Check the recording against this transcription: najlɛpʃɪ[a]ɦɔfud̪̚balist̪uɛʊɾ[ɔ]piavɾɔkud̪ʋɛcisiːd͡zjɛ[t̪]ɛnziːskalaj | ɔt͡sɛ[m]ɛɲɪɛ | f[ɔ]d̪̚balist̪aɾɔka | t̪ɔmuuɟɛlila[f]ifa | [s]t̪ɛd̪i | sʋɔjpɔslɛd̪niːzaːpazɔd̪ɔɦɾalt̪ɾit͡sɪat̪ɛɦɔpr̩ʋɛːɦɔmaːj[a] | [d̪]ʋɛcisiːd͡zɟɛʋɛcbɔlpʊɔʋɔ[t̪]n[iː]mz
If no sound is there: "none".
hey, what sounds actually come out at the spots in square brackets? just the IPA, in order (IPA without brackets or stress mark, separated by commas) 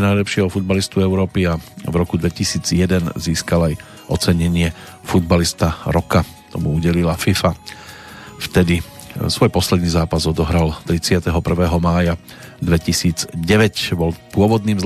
ɛ, ɔː, d̪, ɲ, u, f, f, a, d̪, d̪, iː